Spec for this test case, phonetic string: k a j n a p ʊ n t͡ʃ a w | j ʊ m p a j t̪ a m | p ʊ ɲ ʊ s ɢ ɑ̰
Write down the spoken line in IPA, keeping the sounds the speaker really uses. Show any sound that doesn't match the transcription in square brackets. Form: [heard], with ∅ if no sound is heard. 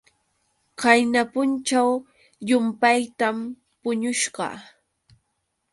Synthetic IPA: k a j n a p ʊ n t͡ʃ a w | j ʊ m p a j t̪ a m | p ʊ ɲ ʊ [ʃ] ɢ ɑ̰